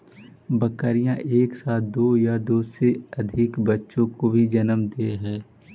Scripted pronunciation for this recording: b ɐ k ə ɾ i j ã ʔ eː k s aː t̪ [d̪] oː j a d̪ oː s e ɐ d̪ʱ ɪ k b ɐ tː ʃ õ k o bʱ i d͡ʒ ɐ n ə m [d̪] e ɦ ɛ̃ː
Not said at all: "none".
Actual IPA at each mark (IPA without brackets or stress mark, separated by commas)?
d̪, d̪